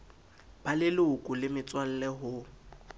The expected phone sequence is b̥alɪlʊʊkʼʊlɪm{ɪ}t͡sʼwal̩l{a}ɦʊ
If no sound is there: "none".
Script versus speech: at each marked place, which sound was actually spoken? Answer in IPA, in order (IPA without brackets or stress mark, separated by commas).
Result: ɪ, ɛ